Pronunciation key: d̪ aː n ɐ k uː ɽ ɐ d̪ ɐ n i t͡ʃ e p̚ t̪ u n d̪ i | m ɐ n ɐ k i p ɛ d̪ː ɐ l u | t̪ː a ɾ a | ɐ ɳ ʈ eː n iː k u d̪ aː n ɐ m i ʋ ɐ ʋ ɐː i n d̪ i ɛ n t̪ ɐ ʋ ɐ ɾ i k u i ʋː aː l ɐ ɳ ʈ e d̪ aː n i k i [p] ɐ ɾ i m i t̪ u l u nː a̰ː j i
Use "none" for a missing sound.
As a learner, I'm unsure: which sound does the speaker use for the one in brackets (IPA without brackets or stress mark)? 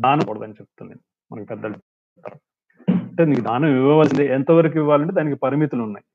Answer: p